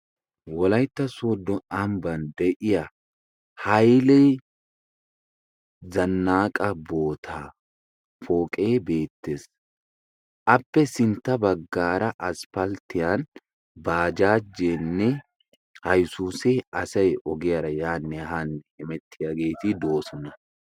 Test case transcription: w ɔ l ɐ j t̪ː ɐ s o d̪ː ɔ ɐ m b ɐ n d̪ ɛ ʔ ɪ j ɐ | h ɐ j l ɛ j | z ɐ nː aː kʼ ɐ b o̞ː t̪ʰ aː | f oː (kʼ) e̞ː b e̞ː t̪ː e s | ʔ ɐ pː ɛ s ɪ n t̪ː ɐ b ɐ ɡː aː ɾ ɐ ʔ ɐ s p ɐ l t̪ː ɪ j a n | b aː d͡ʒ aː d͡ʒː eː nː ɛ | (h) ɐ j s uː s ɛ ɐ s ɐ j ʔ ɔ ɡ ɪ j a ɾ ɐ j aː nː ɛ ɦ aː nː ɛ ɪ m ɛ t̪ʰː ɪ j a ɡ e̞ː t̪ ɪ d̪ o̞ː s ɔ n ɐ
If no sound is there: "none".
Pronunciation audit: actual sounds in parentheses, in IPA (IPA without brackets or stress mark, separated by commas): kʼ, h